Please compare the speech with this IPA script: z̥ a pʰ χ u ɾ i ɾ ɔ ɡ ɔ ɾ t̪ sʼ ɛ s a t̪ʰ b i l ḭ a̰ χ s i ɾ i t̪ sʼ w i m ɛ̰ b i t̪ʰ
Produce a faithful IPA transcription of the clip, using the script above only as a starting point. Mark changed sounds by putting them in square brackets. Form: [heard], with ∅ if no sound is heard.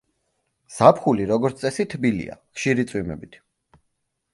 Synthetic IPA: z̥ a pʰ χ u [l] i ɾ ɔ ɡ ɔ ɾ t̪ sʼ ɛ s [i] t̪ʰ b i l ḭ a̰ χ [ʃ] i ɾ i t̪ sʼ w i m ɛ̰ b i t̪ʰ

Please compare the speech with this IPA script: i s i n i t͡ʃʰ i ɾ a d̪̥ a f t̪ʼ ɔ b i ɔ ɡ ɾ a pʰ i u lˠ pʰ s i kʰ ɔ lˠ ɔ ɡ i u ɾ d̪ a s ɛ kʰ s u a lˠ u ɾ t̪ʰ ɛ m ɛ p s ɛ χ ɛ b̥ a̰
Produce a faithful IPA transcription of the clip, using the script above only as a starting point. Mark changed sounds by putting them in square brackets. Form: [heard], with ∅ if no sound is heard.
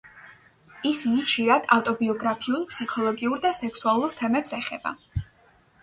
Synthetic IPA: i s i n i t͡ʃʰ i ɾ a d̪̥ a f t̪ʼ ɔ b i ɔ ɡ ɾ a pʰ i u lˠ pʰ s i kʰ ɔ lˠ ɔ ɡ i u ɾ d̪ a s ɛ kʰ s u a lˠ u ɾ t̪ʰ ɛ m ɛ p s ɛ χ ɛ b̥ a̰

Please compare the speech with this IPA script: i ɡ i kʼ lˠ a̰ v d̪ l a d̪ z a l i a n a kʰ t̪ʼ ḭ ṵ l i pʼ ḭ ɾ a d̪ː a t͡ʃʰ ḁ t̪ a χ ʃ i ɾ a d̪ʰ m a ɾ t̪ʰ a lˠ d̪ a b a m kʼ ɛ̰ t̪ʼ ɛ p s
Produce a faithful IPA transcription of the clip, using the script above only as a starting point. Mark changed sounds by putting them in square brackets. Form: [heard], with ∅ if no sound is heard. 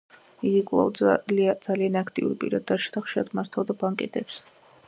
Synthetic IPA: i ɡ i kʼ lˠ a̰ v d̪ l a d̪ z a l i a n a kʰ t̪ʼ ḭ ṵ [ɾ] i pʼ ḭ ɾ a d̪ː a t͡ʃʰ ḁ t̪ a χ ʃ i ɾ a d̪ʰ m a ɾ t̪ʰ a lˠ d̪ a b a [ŋ] kʼ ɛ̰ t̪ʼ ɛ p s

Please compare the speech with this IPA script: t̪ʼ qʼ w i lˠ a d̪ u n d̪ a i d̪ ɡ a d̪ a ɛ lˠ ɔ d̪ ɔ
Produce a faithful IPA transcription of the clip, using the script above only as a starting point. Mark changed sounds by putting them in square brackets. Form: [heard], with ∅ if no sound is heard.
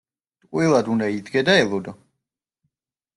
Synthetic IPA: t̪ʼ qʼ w i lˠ a d̪ u n d̪ a i d̪ ɡ [ɛ] d̪ a ɛ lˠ ɔ d̪ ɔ

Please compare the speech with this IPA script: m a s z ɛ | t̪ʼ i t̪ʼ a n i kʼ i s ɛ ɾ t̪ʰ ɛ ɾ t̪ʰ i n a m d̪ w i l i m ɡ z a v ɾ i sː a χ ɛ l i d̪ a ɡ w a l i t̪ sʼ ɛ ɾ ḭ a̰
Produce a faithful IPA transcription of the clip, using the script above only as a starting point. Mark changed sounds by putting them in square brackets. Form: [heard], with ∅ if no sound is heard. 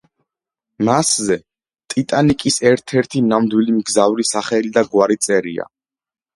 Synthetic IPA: m a s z ɛ | t̪ʼ i t̪ʼ a n i kʼ i s ɛ ɾ t̪ʰ ɛ ɾ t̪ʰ i n a m d̪ w i l i m ɡ z a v ɾ i [s] a χ ɛ l i d̪ a ɡ w a [ɾ] i t̪ sʼ ɛ ɾ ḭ a̰

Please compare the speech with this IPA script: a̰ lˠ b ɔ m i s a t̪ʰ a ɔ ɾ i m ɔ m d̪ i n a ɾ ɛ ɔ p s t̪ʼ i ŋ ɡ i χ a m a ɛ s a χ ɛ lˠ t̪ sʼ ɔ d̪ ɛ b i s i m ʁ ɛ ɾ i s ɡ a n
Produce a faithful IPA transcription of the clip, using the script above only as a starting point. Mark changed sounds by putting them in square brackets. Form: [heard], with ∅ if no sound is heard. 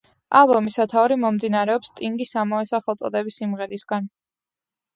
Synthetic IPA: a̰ lˠ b ɔ m i s a t̪ʰ a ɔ ɾ i m ɔ m d̪ i n a ɾ ɛ ɔ p s t̪ʼ i ŋ ɡ i [s] a m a ɛ s a χ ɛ lˠ t̪ sʼ ɔ d̪ ɛ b i s i m ʁ ɛ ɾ i s ɡ a n

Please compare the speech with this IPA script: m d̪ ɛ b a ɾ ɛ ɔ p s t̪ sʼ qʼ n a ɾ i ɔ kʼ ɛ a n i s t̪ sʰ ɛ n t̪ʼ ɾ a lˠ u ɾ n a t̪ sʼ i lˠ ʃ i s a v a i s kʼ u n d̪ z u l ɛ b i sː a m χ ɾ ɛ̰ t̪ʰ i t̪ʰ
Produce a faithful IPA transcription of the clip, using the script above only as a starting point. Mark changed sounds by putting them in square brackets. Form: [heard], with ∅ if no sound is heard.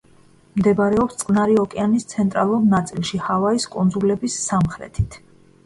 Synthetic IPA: m d̪ ɛ b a ɾ ɛ ɔ p s t̪ sʼ qʼ n a ɾ i ɔ kʼ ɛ a n i s t̪ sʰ ɛ n t̪ʼ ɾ a lˠ u ɾ n a t̪ sʼ i lˠ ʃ i [h] a v a i s kʼ u n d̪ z u l ɛ b i sː a m χ ɾ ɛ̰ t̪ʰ i t̪ʰ

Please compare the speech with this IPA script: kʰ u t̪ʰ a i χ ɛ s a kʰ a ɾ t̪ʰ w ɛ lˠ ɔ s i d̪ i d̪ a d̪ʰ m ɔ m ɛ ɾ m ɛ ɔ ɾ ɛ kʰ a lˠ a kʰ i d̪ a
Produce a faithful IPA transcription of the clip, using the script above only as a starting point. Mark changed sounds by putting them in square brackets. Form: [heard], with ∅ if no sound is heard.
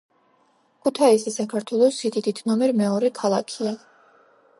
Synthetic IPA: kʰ u t̪ʰ a i [s] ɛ s a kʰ a ɾ t̪ʰ w ɛ lˠ ɔ s i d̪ i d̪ [i] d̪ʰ [n] ɔ m ɛ ɾ m ɛ ɔ ɾ ɛ kʰ a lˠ a kʰ i [∅] a

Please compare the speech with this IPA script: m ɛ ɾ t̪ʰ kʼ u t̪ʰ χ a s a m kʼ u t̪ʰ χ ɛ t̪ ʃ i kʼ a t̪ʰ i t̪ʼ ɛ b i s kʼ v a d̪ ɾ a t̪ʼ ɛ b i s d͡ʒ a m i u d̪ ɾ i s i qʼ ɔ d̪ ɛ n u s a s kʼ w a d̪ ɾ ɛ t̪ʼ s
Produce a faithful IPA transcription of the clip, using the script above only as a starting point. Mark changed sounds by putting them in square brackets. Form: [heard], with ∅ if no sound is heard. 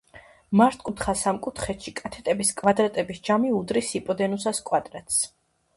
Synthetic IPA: m [a] ɾ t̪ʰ kʼ u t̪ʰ χ a s a m kʼ u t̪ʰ χ ɛ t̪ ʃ i kʼ a t̪ʰ [ɛ] t̪ʼ ɛ b i s kʼ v a d̪ ɾ a t̪ʼ ɛ b i s d͡ʒ a m i u d̪ ɾ i s i [pʼ] ɔ d̪ ɛ n u s a s kʼ w a d̪ ɾ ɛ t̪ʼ s

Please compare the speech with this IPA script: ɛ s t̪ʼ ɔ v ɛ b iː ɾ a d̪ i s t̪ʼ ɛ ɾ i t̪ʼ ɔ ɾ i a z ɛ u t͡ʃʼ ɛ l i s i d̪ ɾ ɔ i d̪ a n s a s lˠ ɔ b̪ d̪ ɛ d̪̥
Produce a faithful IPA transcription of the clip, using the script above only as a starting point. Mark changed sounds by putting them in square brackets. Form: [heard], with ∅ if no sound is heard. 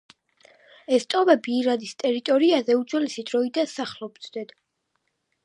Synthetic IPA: ɛ s t̪ʼ ɔ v ɛ b iː ɾ a d̪ i s t̪ʼ ɛ ɾ i t̪ʼ ɔ ɾ i a z ɛ u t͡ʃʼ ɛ l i s i d̪ ɾ ɔ i d̪ a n s a [χ] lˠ ɔ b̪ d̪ ɛ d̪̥

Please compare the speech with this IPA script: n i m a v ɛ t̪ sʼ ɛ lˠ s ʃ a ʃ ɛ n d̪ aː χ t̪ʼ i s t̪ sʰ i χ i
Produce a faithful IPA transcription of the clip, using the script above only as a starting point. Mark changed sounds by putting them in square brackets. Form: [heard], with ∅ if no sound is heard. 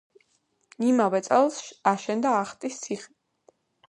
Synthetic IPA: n i m a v ɛ t̪ sʼ ɛ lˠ s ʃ a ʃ ɛ n d̪ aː χ t̪ʼ i s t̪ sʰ i χ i

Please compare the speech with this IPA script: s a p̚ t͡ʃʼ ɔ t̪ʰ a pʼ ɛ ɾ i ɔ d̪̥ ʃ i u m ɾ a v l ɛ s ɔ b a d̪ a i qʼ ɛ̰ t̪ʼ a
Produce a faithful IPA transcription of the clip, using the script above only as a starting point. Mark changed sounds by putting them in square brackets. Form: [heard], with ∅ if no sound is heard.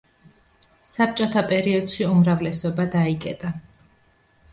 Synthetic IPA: s a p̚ t͡ʃʼ ɔ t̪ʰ a pʼ ɛ ɾ i ɔ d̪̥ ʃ i u m ɾ a v l ɛ s ɔ b a d̪ a i [kʼ] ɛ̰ t̪ʼ a

